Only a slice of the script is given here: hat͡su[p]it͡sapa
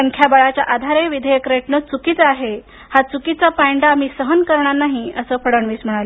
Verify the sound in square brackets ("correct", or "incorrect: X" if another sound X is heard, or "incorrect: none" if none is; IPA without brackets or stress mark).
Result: incorrect: k